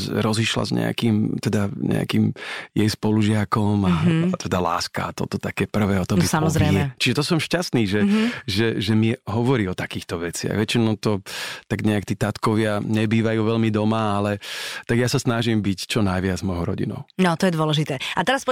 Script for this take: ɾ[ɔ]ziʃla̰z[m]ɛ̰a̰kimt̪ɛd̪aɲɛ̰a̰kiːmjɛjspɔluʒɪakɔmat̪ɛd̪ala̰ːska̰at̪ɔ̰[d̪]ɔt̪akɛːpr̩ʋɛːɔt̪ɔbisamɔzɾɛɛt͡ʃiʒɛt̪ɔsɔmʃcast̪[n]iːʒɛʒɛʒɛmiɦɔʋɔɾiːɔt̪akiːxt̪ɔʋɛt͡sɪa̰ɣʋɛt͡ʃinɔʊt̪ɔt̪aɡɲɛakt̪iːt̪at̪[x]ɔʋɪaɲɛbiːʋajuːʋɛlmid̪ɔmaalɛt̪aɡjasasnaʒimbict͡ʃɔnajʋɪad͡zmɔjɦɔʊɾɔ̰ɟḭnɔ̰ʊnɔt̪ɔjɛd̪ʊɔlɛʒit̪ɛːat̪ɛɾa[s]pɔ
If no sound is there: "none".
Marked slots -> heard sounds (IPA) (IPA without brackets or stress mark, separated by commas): ɔ, ɲ, t̪, n, k, s